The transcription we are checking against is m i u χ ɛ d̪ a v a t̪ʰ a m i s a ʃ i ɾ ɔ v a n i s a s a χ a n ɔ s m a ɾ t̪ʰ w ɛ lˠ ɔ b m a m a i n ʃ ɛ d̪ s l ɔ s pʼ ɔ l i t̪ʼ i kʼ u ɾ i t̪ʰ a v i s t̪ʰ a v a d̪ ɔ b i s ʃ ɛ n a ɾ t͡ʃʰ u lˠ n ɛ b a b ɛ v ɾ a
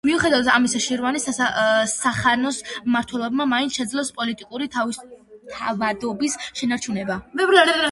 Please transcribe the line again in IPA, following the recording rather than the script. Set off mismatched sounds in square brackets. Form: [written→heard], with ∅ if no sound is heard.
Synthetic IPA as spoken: m i u χ ɛ d̪ a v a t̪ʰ a m i s a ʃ i ɾ ɔ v a n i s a s a χ a n ɔ s m a ɾ t̪ʰ w ɛ lˠ ɔ b m a m a i n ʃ ɛ d̪ [s→z] l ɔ s pʼ ɔ l i t̪ʼ i kʼ u ɾ i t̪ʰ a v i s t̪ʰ a v a d̪ ɔ b i s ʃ ɛ n a ɾ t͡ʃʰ u [lˠ→∅] n ɛ b a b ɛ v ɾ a